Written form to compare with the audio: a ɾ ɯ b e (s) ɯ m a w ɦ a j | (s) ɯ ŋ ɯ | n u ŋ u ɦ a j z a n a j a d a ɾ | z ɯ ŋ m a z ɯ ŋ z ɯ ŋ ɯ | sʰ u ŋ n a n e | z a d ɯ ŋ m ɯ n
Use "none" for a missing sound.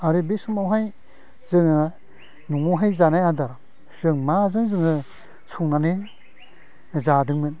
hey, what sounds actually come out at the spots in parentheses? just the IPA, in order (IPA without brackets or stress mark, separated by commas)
s, z